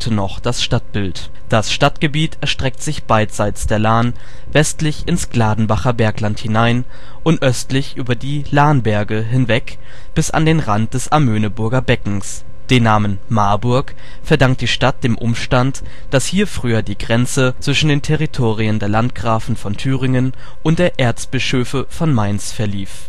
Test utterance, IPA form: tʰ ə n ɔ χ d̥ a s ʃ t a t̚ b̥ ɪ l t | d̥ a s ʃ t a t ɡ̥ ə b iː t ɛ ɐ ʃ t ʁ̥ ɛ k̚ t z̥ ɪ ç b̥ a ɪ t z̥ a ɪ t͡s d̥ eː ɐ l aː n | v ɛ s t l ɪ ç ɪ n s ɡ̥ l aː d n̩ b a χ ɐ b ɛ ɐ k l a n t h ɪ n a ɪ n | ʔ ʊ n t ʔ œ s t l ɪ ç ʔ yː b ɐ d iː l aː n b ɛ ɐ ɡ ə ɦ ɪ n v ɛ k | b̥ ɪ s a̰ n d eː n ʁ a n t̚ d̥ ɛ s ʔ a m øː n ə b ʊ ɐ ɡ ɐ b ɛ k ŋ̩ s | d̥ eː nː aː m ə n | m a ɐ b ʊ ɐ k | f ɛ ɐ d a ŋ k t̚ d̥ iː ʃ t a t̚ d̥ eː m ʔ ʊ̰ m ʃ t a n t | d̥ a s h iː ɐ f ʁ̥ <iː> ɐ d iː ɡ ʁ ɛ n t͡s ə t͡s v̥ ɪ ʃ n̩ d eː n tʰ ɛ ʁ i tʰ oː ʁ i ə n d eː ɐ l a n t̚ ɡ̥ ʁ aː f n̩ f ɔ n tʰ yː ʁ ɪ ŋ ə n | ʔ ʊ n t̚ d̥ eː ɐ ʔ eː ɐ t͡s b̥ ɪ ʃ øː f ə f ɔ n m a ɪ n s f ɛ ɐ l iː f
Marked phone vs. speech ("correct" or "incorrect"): incorrect